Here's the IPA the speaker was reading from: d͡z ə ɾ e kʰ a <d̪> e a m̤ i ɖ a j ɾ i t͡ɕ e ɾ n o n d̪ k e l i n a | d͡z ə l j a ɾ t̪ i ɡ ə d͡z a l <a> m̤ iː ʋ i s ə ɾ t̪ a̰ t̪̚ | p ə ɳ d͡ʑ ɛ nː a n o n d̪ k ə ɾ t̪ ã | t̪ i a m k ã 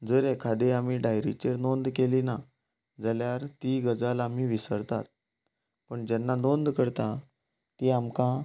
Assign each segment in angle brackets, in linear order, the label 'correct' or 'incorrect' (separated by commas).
correct, correct